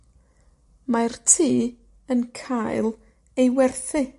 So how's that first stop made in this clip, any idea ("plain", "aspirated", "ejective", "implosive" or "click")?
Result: aspirated